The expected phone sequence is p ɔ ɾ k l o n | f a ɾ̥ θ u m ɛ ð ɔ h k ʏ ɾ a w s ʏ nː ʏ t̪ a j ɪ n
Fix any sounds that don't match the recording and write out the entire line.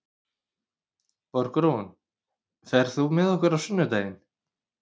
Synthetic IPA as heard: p ɔ ɾ k ɾ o n | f ɛ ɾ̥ θ u m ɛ ð ɔ h k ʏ ɾ a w s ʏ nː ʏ t̪ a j ɪ n